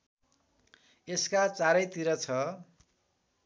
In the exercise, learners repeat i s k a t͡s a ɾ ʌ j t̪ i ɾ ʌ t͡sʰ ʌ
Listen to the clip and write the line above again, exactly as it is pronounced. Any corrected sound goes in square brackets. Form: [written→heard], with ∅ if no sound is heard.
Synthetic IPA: [i→e] s k a t͡s a ɾ ʌ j t̪ i ɾ ʌ t͡sʰ ʌ